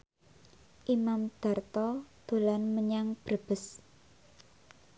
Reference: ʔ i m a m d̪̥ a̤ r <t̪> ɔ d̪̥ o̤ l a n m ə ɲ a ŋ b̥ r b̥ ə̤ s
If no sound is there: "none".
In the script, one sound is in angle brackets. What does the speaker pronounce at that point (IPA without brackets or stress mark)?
t̪